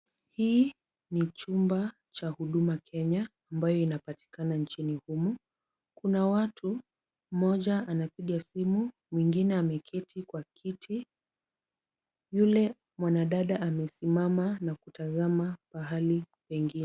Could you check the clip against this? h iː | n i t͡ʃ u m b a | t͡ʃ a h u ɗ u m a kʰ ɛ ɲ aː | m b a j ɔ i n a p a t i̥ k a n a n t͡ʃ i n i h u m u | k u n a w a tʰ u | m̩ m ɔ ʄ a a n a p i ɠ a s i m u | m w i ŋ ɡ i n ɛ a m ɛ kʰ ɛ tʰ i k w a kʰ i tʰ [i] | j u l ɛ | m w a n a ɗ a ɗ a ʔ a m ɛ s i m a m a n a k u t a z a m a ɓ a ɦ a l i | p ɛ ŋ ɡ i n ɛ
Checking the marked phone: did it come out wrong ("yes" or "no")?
no